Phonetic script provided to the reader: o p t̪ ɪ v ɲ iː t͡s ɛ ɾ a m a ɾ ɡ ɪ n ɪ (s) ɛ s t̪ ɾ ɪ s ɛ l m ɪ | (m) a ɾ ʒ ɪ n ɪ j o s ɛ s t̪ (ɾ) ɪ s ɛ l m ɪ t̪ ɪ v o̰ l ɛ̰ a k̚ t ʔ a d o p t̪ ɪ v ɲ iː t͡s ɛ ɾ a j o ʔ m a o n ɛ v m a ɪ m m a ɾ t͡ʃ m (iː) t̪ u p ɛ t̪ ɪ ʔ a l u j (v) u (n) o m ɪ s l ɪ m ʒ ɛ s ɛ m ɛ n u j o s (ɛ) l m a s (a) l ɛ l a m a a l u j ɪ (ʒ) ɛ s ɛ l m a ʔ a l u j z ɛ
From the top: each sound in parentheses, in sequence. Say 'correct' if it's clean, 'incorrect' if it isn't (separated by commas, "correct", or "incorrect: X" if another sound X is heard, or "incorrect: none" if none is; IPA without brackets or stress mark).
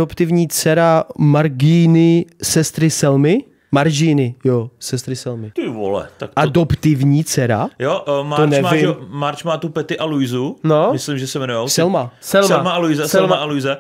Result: correct, correct, correct, incorrect: aː, incorrect: z, correct, correct, incorrect: ɛ, incorrect: z